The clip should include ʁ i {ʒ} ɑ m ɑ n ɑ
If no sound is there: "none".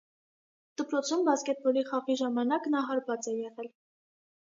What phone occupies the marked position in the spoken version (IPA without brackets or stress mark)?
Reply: ʒ